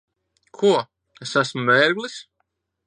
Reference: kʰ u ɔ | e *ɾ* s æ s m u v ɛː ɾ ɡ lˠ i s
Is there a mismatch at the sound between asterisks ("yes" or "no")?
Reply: yes